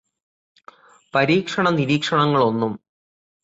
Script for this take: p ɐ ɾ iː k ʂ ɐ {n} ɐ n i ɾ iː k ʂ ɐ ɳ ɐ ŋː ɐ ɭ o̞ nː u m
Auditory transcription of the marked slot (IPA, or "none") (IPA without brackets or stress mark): ɳ